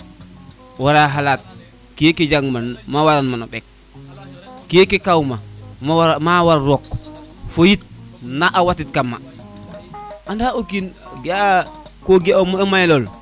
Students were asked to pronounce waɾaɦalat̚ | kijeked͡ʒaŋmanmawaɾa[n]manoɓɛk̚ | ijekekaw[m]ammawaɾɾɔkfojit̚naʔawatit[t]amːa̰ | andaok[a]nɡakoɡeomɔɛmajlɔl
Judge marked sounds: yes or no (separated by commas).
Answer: yes, yes, no, no